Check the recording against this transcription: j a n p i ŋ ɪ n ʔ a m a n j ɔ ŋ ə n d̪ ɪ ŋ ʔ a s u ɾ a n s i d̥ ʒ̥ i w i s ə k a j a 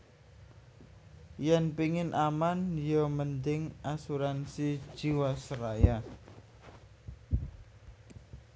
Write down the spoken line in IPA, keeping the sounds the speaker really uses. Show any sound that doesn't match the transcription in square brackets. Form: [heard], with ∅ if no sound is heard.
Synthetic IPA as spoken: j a n p i ŋ ɪ n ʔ a m a n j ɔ [m] ə n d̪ ɪ ŋ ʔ a s u ɾ a n s i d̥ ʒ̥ i w [a] s ə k a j a

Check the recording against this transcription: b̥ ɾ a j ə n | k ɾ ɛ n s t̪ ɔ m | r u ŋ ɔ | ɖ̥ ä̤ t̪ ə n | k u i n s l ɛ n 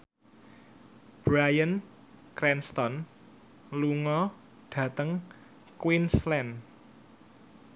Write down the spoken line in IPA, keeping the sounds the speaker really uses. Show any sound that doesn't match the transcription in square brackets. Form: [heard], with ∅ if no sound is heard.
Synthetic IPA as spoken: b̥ ɾ a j ə n | k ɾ ɛ n s t̪ ɔ [n] | [l] u ŋ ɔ | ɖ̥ ä̤ t̪ ə [ŋ] | k [w] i n s l ɛ n

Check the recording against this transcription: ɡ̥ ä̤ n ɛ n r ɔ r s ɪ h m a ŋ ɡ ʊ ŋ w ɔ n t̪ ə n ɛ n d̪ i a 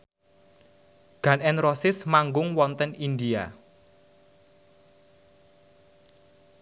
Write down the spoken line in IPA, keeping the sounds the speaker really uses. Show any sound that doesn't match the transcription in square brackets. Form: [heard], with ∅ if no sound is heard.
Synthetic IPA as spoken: ɡ̥ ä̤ n ɛ n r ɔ [∅] s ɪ [s] m a ŋ ɡ ʊ ŋ w ɔ n t̪ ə n [i] n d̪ i a

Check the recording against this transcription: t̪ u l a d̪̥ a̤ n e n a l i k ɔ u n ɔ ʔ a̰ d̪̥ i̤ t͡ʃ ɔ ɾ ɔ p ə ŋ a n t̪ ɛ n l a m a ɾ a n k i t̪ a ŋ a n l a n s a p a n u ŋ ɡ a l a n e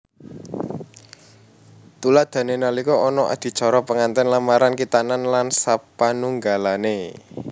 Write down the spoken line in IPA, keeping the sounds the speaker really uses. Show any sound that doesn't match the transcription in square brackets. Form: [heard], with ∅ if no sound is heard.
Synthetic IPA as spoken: t̪ u l a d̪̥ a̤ n e n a l i k ɔ [ɔ] n ɔ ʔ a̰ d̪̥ i̤ t͡ʃ ɔ ɾ ɔ p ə ŋ a n t̪ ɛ n l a m a ɾ a n k i t̪ a [n] a n l a n s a p a n u ŋ ɡ a l a n e

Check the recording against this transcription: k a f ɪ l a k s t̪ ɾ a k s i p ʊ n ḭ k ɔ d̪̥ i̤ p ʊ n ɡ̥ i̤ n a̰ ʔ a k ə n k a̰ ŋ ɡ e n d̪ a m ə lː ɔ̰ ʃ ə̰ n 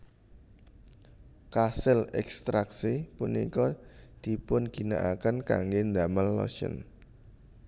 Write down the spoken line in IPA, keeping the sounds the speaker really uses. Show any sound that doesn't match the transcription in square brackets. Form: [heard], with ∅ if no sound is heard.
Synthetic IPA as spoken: k a [s] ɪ l [ɛ] k s t̪ ɾ a k s i p [u] n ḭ k ɔ d̪̥ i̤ p ʊ n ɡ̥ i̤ n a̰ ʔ a k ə n k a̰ ŋ ɡ e n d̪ a m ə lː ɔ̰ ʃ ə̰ n

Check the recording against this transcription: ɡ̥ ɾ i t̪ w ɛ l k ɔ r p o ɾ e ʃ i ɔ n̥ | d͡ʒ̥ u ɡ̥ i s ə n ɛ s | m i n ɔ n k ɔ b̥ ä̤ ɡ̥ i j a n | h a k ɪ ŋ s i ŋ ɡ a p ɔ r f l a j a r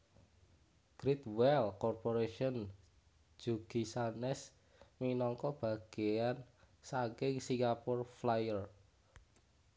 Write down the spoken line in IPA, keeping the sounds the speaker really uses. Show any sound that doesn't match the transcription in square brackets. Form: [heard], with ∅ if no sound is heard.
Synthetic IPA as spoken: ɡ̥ ɾ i t̪ w ɛ l k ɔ r p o ɾ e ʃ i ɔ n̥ | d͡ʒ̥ u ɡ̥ i s [a] n ɛ s | m i n ɔ [ŋ] k ɔ b̥ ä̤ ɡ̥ [e] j a n | [s] a k ɪ ŋ s i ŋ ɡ a p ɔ r f l a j [ə] r

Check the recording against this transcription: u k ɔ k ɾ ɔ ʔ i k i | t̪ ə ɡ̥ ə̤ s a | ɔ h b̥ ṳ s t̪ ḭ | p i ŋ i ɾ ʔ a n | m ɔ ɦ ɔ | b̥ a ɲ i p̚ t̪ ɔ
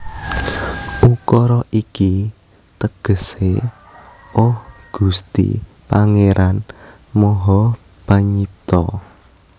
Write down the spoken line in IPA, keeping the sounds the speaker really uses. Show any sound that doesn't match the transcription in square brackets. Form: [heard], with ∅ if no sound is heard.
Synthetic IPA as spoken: u k ɔ [∅] ɾ ɔ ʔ i k i | t̪ ə ɡ̥ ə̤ s [e] | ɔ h [ɡ̥] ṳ s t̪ ḭ | p [a] ŋ [e] ɾ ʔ a n | m ɔ ɦ ɔ | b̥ a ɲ i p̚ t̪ ɔ

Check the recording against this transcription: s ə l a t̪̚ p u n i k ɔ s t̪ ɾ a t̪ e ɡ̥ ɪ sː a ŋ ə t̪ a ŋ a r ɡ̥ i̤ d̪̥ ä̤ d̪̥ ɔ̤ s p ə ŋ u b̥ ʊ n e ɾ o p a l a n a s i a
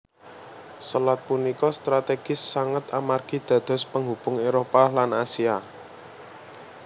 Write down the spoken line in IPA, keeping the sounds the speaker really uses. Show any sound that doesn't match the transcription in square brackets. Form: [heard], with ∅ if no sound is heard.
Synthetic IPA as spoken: s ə l a t̪̚ p u n i k ɔ s t̪ ɾ a t̪ e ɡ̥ ɪ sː a ŋ ə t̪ a [m] a r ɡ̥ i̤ d̪̥ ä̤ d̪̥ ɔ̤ s p ə ŋ u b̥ ʊ [ŋ] e ɾ o p a l a n a s i a

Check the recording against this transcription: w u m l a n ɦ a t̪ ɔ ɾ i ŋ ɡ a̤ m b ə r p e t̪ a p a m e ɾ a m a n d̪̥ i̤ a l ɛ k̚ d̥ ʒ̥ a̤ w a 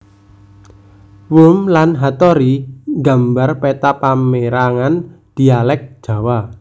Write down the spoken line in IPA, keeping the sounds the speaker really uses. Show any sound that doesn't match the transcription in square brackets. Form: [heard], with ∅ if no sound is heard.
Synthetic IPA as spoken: w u m l a n ɦ a t̪ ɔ ɾ i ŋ ɡ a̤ m b [a] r p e t̪ a p a m e ɾ a [ŋ] a n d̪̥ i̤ a l ɛ k̚ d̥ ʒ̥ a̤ w a

